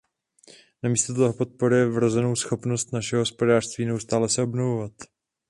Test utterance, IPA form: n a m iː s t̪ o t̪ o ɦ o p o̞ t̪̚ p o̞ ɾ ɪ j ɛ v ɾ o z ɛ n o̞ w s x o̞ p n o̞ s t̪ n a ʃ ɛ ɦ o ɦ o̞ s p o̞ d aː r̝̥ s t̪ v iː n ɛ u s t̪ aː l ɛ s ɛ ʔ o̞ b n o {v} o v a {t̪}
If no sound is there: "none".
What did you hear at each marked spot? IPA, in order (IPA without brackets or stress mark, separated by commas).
v, t̪